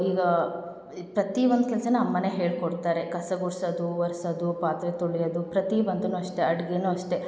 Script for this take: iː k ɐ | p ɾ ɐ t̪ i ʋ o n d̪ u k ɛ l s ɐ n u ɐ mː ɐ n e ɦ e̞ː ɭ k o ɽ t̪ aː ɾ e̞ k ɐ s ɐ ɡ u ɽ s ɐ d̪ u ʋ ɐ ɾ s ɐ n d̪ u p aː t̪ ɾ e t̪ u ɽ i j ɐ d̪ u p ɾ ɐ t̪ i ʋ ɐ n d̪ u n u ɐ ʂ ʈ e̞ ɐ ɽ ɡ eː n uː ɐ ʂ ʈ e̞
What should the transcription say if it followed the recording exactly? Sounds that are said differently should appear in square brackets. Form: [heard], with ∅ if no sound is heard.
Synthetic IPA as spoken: iː [ɡ] ɐ | p ɾ ɐ t̪ i ʋ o n d̪ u k ɛ l s ɐ n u ɐ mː ɐ n e ɦ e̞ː ɭ k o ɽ t̪ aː ɾ e̞ k ɐ s ɐ ɡ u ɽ s ɐ d̪ u ʋ ɐ ɾ s ɐ [∅] d̪ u p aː t̪ ɾ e t̪ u [ɭ] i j ɐ d̪ u p ɾ ɐ t̪ i ʋ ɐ n d̪ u n u ɐ ʂ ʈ e̞ ɐ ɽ ɡ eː n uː ɐ ʂ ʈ e̞